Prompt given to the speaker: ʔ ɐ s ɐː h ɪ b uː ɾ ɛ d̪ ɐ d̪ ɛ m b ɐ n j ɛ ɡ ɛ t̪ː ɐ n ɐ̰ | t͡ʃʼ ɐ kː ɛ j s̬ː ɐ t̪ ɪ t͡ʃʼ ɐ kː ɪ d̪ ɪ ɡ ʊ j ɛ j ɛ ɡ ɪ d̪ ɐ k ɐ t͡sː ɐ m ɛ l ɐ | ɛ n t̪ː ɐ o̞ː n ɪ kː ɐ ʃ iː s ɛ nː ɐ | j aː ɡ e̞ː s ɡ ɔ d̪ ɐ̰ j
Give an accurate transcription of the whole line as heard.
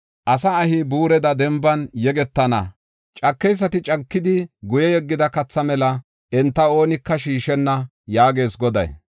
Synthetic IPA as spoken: ʔ ɐ s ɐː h ɪ b uː ɾ ɛ d̪ ɐ d̪ ɛ m b ɐ n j ɛ ɡ ɛ t̪ː ɐ n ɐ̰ | t͡ʃʼ ɐ kː ɛ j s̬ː ɐ t̪ ɪ t͡ʃʼ ɐ kː ɪ d̪ ɪ ɡ ʊ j ɛ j ɛ ɡː ɪ d̪ ɐ k ɐ t͡sː ɐ m ɛ l ɐ | ɛ n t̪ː ɐ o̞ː n ɪ kː ɐ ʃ iː ʃ ɛ nː ɐ | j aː ɡ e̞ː s ɡ ɔ d̪ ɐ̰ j